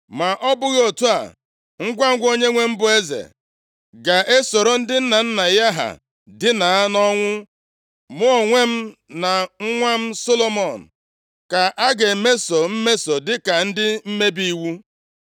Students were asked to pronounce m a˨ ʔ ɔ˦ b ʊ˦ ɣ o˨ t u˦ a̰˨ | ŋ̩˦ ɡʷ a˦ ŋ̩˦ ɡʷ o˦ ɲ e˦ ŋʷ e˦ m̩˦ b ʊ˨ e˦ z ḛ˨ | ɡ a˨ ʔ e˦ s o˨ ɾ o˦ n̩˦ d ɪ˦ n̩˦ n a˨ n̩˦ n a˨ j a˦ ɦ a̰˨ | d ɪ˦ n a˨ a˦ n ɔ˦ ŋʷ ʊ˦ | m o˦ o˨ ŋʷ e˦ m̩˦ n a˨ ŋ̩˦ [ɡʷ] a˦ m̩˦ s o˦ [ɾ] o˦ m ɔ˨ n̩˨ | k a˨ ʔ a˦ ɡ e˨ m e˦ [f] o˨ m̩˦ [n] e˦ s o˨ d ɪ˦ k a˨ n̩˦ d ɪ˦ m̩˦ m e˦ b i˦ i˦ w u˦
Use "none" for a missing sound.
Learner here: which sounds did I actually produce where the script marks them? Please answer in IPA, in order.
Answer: ŋʷ, l, s, m

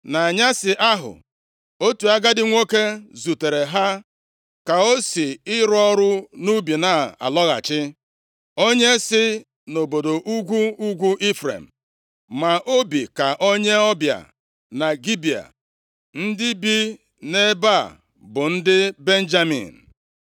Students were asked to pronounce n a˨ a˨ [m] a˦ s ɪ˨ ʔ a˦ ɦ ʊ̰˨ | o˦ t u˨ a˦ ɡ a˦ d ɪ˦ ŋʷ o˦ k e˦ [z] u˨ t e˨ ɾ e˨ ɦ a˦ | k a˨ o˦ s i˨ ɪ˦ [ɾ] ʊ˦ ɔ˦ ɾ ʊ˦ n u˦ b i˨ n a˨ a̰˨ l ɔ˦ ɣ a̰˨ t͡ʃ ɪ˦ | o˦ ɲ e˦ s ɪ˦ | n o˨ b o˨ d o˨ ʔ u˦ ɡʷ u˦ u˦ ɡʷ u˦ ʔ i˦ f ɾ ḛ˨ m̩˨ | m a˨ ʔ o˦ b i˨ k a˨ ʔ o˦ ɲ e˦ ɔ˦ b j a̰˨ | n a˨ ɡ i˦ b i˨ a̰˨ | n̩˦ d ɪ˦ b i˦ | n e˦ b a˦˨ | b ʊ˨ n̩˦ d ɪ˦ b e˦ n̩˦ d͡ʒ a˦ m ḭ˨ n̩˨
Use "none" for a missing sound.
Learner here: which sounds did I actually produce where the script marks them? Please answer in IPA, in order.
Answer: ɲ, z, ɾ

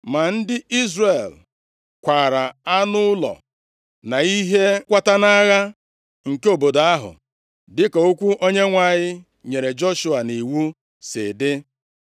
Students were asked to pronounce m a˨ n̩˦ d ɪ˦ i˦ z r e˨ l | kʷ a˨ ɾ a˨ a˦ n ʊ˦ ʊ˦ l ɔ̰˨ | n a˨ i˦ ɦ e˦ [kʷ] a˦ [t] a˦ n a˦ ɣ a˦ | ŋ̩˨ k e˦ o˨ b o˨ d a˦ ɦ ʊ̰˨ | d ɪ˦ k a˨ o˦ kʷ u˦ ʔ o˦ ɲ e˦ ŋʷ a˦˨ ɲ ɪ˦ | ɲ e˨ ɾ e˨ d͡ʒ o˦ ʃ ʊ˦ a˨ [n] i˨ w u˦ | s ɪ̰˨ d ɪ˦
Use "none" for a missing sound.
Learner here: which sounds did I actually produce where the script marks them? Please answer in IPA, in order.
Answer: kʷ, t, n

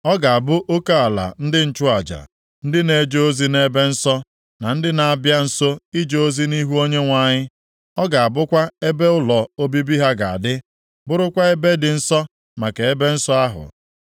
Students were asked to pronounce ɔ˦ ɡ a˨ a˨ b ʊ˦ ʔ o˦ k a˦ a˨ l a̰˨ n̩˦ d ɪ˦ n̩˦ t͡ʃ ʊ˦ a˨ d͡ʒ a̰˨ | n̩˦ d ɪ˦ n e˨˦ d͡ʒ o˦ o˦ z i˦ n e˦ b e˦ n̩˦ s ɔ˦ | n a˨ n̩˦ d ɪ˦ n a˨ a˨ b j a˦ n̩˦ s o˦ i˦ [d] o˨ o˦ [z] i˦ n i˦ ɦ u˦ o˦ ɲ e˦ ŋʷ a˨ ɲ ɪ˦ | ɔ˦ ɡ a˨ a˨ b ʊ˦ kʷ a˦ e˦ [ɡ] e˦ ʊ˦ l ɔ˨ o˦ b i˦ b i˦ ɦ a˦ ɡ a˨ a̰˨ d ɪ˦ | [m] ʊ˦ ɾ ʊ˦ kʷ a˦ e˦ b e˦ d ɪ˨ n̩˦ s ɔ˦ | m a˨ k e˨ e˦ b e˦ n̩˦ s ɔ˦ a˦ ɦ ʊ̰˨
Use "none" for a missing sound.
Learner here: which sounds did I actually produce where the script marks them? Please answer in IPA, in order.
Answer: d͡ʒ, z, b, b

